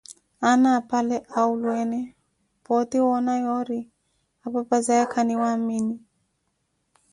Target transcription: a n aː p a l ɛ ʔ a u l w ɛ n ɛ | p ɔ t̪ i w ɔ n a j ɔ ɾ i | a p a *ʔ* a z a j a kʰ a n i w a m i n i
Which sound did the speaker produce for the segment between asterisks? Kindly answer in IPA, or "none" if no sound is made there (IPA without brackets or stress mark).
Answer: p